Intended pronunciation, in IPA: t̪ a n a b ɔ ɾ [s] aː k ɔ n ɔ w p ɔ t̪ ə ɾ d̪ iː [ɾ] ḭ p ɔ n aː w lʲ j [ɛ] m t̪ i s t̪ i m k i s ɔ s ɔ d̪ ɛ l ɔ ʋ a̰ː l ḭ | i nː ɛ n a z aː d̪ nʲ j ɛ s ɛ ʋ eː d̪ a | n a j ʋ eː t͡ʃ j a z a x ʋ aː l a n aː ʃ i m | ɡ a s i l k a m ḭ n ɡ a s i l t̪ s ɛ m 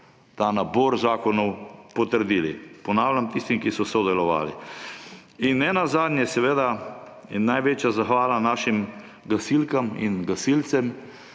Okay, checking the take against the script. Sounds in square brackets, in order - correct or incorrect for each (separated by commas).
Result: incorrect, incorrect, incorrect